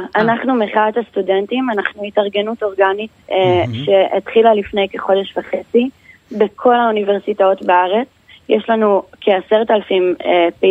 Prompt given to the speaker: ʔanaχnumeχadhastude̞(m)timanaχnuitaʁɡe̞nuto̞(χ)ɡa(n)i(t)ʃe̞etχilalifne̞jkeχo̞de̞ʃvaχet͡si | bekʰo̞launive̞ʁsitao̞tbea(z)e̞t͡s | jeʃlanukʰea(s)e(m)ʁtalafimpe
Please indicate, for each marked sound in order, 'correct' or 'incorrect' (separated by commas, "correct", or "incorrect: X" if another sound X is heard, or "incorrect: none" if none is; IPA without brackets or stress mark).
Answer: incorrect: n, incorrect: ʁ, correct, correct, incorrect: ʁ, correct, incorrect: none